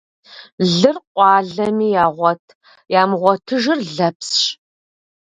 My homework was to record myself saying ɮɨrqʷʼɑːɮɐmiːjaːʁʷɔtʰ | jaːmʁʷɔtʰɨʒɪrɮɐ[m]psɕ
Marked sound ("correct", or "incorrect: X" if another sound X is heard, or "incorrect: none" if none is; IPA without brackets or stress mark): incorrect: none